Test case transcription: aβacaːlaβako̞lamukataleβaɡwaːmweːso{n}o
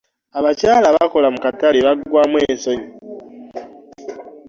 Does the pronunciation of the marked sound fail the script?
yes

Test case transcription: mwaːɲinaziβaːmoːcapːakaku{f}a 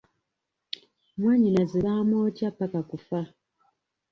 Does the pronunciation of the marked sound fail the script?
no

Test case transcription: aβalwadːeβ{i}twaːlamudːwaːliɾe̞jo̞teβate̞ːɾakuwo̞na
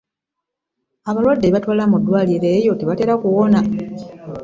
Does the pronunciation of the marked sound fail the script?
yes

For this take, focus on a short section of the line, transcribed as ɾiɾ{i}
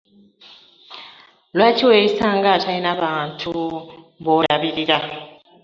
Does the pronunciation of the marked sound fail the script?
yes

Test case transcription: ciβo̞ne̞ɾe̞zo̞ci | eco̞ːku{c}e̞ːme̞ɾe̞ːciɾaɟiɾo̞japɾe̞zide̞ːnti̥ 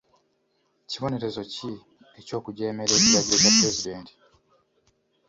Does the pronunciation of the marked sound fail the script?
yes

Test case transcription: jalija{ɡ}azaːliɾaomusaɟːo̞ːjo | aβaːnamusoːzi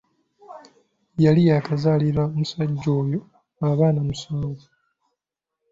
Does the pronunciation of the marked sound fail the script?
yes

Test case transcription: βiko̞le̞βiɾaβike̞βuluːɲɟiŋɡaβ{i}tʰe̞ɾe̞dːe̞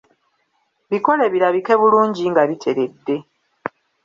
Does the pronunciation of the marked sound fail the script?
no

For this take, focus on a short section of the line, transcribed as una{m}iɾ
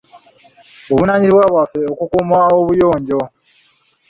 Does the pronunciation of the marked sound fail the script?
yes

